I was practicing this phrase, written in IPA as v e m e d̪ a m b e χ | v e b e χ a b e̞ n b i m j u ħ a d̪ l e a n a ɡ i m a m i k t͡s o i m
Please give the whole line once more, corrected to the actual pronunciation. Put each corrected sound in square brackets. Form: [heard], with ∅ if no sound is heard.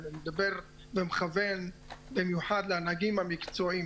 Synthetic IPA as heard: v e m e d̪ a [∅] b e [ʁ] | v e [m] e χ a [v] e̞ n b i m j u ħ a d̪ l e a n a ɡ i m a m i k t͡s o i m